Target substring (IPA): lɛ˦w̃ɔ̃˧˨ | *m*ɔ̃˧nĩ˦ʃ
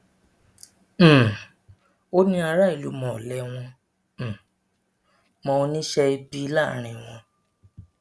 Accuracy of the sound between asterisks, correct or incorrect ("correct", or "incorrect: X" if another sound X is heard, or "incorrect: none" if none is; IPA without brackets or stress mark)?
correct